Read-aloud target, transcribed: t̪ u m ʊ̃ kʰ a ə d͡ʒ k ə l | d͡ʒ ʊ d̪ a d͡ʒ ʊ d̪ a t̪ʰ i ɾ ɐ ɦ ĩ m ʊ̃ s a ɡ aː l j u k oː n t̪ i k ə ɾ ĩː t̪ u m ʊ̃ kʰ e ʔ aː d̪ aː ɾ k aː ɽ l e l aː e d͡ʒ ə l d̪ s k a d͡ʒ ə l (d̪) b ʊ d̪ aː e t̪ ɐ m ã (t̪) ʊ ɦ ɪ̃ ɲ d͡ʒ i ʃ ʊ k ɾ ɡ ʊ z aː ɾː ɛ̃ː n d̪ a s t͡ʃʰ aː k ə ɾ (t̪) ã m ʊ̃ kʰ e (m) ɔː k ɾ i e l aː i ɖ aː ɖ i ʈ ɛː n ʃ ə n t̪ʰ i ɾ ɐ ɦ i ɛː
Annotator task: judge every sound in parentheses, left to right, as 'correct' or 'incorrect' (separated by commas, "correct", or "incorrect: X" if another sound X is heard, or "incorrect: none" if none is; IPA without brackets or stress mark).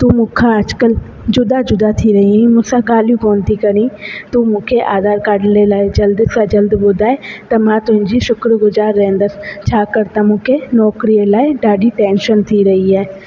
correct, correct, correct, incorrect: n